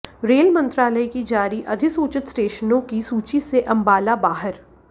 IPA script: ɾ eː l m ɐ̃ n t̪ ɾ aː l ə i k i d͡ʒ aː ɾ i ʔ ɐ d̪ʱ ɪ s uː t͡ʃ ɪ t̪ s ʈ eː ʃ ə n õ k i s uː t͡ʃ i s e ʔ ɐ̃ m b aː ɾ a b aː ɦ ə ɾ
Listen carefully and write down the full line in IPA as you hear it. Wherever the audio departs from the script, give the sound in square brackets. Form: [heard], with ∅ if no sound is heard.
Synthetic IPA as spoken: ɾ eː l m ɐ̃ n t̪ ɾ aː l ə i k i d͡ʒ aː ɾ i ʔ ɐ d̪ʱ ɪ s uː t͡ʃ ɪ t̪ s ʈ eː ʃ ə n õ k i s uː t͡ʃ i s e ʔ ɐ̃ m b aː [l] a b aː ɦ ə ɾ